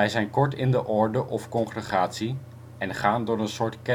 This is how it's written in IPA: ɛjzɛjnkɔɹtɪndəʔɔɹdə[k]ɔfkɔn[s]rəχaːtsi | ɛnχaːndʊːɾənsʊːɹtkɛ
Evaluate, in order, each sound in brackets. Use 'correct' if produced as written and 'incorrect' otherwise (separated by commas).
incorrect, incorrect